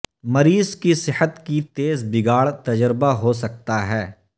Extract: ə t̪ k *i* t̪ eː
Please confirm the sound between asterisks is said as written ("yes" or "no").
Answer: yes